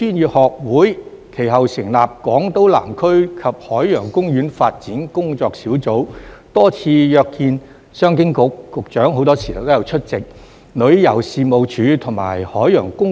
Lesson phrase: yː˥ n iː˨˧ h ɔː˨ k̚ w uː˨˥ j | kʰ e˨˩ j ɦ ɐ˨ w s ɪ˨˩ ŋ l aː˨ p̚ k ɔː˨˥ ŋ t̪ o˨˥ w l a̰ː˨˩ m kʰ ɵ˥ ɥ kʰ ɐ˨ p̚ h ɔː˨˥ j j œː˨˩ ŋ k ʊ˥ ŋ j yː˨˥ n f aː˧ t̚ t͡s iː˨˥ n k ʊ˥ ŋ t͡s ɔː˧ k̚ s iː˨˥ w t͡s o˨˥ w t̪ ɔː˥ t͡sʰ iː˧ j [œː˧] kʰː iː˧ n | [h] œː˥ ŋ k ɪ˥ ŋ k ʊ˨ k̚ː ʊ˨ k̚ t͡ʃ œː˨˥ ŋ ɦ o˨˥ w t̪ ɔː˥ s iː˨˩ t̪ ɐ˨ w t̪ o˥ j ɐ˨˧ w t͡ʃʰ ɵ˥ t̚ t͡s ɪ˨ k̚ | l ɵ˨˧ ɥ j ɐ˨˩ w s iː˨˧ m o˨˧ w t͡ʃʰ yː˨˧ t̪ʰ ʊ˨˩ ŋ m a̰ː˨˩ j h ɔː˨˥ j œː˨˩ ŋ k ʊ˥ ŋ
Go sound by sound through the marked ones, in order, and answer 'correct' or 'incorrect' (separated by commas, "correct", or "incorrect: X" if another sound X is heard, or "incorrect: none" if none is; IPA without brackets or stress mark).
correct, incorrect: s